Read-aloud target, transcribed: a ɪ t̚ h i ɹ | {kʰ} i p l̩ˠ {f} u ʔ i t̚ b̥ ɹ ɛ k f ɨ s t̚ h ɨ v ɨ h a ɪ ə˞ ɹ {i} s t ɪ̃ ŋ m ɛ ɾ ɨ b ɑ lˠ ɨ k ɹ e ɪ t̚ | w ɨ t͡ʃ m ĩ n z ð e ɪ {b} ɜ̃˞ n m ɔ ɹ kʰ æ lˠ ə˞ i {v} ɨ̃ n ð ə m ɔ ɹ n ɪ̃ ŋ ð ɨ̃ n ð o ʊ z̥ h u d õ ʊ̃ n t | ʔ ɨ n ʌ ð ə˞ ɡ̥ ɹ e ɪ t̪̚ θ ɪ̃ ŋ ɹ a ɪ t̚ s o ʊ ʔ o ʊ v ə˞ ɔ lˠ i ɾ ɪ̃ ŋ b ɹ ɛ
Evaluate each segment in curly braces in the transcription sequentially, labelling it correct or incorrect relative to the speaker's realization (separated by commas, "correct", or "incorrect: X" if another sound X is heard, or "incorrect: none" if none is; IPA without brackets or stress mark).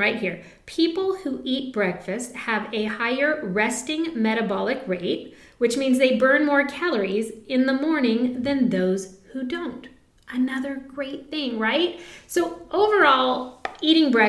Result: incorrect: pʰ, incorrect: h, incorrect: ɛ, correct, incorrect: z